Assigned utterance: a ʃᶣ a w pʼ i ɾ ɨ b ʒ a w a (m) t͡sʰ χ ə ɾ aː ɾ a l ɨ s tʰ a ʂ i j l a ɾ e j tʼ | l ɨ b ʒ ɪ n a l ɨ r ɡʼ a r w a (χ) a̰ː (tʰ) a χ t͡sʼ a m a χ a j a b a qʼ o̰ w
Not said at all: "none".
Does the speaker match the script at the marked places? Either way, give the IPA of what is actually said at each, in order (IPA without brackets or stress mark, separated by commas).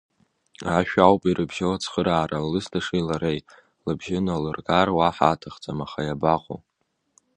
none, ħ, tʰ